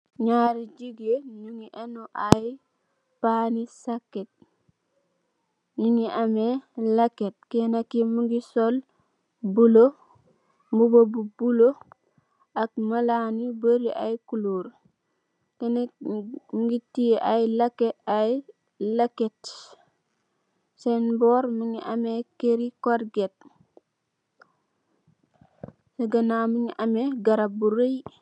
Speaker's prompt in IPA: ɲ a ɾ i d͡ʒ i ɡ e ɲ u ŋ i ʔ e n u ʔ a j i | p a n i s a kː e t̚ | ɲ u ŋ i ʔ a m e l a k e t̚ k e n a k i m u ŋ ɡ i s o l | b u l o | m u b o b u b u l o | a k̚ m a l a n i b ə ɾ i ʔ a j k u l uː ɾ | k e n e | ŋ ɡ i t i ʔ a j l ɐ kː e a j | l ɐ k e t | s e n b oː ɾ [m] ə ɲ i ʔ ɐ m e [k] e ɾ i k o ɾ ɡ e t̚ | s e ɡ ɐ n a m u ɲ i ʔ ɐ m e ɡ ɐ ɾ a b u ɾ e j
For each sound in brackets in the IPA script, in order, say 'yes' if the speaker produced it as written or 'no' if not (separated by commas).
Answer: yes, yes